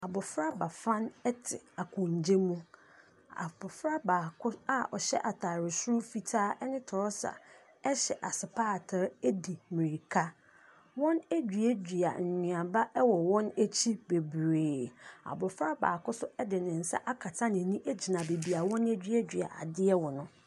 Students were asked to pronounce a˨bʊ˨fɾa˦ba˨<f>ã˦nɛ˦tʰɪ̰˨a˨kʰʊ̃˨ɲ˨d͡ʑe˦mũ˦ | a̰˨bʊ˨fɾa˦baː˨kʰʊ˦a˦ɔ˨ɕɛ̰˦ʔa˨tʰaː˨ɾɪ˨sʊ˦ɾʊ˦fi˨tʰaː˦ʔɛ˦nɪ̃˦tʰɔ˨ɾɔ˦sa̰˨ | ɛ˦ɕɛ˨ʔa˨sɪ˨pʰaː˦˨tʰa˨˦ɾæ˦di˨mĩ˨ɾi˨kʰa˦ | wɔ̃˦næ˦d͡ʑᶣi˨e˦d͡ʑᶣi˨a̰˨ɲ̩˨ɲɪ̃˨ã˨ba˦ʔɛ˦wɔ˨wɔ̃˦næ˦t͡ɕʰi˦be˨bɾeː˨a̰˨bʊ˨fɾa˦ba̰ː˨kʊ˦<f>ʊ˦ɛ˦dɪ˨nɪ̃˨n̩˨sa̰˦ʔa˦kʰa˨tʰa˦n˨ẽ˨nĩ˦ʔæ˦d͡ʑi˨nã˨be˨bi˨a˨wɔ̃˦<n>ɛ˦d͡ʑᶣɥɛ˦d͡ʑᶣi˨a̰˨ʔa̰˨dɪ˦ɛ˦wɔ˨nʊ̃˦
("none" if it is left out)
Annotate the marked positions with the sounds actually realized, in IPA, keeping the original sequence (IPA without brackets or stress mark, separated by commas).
f, s, n